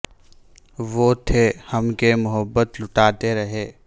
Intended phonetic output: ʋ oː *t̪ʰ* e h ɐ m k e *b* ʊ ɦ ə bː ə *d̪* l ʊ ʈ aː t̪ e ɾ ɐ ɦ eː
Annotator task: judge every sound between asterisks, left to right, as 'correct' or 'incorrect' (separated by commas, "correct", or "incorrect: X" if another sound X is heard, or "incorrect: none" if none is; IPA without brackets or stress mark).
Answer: correct, incorrect: m, incorrect: t̪